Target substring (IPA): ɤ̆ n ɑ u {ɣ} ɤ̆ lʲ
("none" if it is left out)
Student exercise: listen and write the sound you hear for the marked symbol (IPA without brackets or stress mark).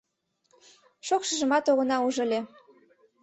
ʒ